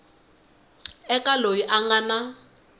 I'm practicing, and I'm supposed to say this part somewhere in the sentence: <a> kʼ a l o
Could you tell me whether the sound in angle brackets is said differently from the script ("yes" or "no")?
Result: yes